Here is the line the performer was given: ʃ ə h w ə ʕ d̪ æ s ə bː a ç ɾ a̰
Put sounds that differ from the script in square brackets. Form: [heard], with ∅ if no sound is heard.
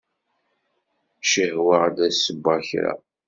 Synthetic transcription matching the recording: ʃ ə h w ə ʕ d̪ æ s ə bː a ç ɾ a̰

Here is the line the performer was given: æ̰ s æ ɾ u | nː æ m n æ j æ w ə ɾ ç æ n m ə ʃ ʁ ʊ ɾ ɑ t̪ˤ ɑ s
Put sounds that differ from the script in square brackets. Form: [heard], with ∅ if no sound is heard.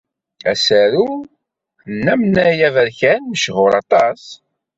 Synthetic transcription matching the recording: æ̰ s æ ɾ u | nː æ m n æ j æ [v] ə ɾ ç æ n m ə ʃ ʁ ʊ ɾ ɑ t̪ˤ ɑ s

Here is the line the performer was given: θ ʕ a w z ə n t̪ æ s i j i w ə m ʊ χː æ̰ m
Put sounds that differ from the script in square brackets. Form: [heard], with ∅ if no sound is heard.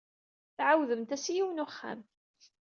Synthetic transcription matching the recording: θ ʕ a w [ð] ə [m] t̪ æ s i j i w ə [n] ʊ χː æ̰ m

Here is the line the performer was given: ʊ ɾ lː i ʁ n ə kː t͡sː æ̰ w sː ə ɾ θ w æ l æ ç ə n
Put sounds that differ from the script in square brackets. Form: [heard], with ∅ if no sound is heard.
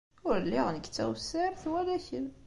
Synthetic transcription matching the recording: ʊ ɾ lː i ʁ n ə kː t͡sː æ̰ w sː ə ɾ θ w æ l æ ç ə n

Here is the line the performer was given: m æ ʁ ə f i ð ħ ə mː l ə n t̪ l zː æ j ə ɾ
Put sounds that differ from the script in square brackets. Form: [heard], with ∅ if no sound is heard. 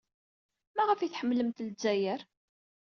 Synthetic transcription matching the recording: m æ ʁ ə f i [θ] ħ ə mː l ə [m] t̪ l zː æ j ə ɾ

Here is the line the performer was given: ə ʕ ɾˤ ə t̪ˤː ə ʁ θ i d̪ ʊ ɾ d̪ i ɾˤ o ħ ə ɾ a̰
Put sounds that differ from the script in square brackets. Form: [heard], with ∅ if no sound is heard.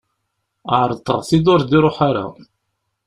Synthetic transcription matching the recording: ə ʕ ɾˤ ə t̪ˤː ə ʁ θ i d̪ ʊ ɾ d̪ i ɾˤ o ħ [a] ɾ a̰

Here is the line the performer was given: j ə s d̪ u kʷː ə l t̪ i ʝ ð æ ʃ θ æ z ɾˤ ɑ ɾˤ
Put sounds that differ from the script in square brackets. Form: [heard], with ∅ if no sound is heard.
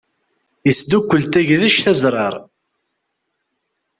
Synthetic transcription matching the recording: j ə s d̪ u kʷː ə l t̪ [æ] ʝ ð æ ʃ θ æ z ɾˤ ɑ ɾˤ

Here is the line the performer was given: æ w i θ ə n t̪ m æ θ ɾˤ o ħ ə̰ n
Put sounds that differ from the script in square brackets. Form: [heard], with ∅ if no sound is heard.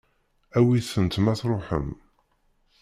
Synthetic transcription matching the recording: æ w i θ ə n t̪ m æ θ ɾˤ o ħ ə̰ [m]

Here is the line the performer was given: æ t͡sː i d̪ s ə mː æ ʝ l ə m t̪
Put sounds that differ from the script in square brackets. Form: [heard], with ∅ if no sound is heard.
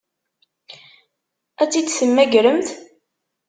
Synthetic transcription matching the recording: æ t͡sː i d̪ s ə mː æ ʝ [ɾ] ə m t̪

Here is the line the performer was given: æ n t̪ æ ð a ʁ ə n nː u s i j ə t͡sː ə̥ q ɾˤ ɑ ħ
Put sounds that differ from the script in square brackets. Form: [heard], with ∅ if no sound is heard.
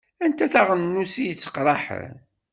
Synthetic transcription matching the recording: æ n t̪ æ [θ] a ʁ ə n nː u s i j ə t͡sː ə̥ q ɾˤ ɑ ħ

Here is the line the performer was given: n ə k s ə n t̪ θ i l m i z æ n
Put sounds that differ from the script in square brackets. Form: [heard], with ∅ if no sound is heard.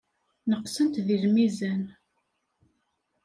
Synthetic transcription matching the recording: n ə [q] s ə n t̪ [ð] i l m i z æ n

